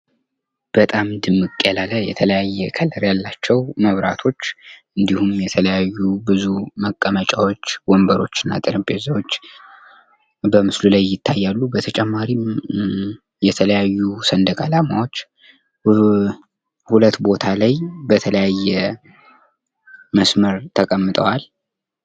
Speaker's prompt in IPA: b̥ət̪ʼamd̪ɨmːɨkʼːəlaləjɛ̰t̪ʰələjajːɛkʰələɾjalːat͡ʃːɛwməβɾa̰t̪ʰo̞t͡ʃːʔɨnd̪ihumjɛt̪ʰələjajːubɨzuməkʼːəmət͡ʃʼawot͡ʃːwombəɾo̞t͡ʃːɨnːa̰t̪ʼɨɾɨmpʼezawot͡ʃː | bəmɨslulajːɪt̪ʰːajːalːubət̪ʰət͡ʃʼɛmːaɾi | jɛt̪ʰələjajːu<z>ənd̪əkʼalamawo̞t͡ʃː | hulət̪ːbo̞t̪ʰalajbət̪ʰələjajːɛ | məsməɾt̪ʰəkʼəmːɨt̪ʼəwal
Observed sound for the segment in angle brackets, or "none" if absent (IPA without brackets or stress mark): s